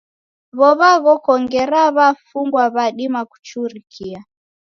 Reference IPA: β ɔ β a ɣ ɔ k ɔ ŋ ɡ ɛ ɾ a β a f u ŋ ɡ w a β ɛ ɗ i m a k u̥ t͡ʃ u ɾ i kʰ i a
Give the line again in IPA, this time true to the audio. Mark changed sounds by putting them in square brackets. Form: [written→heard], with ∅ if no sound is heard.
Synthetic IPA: β ɔ β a ɣ ɔ k ɔ ŋ ɡ ɛ ɾ a β a f u ŋ ɡ w a β [ɛ→a] ɗ i m a k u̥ t͡ʃ u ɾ i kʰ i a